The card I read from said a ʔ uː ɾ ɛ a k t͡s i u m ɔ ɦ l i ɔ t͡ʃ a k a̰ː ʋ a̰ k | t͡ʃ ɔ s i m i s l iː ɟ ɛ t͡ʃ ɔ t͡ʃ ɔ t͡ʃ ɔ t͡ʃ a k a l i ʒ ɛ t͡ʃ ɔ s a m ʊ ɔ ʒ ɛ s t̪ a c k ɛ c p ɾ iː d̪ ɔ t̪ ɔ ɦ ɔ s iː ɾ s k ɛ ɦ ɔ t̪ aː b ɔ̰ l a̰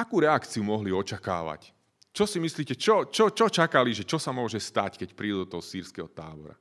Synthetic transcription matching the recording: a k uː ɾ ɛ a k t͡s i u m ɔ ɦ l i ɔ t͡ʃ a k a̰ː ʋ a̰ c | t͡ʃ ɔ s i m i s l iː c ɛ t͡ʃ ɔ t͡ʃ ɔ t͡ʃ ɔ t͡ʃ a k a l i ʒ ɛ t͡ʃ ɔ s a m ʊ ɔ ʒ ɛ s t̪ a c k ɛ c p ɾ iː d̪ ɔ t̪ ɔ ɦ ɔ s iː ɾ s k ɛ ɦ ɔ t̪ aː b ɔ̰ ɾ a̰